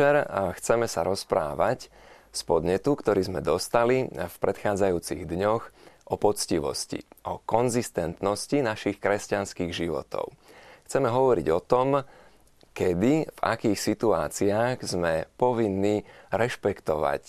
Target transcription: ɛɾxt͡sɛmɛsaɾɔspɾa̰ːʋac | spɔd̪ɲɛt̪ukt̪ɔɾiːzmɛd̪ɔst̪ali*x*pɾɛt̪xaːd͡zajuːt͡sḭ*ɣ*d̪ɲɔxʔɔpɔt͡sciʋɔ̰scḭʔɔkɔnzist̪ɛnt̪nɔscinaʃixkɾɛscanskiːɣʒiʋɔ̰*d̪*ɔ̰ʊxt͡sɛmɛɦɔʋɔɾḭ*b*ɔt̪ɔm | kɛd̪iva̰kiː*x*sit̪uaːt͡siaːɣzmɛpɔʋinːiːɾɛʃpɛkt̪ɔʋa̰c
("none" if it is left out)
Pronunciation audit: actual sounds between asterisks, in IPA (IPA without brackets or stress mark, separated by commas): f, ɣ, t̪, ɟ, x